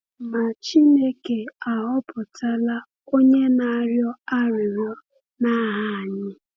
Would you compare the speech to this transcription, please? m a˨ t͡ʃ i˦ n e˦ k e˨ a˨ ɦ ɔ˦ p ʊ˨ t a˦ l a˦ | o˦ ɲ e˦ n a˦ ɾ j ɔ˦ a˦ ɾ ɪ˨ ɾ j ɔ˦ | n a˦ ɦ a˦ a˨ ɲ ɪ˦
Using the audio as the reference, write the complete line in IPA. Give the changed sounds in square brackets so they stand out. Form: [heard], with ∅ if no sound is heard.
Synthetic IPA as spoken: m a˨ t͡ʃ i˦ n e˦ k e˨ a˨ ɦ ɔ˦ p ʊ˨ t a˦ l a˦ | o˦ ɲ e˦ n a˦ ɾ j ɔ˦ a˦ ɾ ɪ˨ ɾ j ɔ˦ | n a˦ ɦ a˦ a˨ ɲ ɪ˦